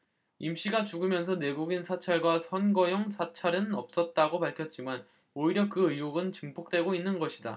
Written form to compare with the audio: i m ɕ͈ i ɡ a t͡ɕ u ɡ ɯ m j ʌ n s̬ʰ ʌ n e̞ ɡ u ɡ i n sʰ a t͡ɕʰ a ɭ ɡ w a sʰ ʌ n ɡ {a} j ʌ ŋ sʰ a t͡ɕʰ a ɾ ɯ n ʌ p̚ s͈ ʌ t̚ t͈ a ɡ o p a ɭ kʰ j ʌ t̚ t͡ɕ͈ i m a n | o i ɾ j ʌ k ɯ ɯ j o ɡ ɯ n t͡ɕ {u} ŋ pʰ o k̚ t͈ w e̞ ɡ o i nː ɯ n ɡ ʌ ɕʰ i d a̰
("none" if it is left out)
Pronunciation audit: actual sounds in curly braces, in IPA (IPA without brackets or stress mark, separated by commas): ʌ, ɯ